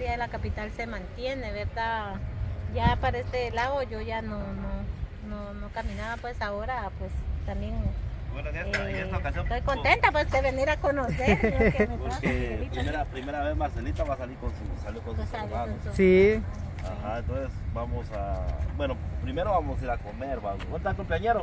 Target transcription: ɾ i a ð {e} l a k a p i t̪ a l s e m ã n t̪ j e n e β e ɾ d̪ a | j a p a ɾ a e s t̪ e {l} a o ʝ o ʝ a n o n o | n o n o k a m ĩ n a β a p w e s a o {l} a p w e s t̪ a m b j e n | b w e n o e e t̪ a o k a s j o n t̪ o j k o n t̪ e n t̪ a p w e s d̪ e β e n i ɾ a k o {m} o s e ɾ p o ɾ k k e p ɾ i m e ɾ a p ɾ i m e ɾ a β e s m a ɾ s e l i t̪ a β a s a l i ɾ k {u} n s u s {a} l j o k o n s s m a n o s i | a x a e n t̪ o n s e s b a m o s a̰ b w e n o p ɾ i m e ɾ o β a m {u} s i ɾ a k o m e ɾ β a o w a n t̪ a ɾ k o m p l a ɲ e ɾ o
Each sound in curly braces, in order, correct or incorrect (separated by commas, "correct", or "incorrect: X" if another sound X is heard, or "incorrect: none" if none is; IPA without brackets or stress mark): correct, correct, incorrect: ɾ, incorrect: n, incorrect: o, correct, incorrect: o